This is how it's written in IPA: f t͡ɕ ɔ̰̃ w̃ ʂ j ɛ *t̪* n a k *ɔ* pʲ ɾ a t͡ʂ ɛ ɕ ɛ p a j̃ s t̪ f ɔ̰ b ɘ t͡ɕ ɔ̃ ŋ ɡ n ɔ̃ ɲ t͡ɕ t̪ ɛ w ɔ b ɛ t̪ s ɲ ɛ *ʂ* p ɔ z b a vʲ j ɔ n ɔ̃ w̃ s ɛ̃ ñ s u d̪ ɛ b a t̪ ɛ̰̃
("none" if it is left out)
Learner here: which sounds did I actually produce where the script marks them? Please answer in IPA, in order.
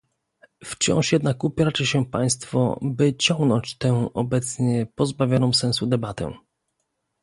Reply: d̪, u, none

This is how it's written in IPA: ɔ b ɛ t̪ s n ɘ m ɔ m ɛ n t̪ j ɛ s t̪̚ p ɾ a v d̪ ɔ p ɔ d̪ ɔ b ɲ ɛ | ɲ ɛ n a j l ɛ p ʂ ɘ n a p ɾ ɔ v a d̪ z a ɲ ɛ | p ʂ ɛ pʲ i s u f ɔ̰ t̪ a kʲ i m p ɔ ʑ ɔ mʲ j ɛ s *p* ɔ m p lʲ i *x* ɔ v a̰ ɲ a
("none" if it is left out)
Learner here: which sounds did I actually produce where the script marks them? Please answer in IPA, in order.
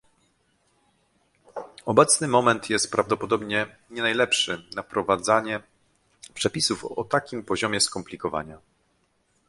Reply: k, k

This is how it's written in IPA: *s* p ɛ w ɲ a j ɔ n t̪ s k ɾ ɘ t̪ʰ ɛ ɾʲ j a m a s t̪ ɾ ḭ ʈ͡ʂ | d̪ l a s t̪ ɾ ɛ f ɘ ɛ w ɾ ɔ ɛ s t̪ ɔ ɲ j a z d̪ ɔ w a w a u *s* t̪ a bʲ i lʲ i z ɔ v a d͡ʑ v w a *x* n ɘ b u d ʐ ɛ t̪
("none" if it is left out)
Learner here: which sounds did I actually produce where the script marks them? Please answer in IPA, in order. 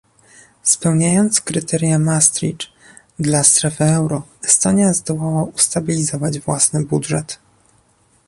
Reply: s, s, s

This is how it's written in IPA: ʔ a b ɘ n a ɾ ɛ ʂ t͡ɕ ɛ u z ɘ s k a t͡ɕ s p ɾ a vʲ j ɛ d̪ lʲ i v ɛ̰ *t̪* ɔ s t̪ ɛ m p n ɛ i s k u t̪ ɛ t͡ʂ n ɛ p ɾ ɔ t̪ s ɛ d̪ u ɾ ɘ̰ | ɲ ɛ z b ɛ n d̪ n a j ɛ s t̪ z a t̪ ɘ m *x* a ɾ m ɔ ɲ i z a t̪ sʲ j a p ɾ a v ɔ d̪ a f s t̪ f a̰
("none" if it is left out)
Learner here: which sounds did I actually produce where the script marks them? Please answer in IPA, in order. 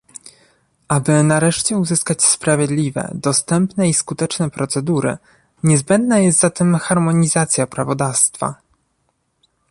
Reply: d̪, x

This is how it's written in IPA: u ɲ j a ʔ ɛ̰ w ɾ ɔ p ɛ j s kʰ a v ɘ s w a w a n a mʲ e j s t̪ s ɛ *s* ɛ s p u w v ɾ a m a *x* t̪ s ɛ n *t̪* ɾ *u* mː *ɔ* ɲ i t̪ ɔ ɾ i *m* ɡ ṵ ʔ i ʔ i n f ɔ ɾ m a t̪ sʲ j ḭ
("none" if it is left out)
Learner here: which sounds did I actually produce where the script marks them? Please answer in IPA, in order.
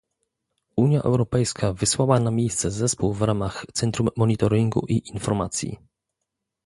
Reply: z, x, t̪, u, ɔ, ŋ

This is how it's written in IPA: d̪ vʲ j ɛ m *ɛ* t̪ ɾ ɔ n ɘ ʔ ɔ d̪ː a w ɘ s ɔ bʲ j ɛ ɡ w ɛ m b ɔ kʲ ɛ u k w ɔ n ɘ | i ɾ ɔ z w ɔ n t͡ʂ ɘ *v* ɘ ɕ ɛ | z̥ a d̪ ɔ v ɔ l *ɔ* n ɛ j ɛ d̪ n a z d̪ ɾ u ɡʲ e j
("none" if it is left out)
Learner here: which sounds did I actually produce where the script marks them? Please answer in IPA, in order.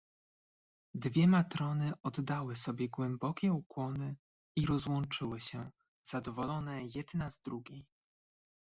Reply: a, w, ɔ

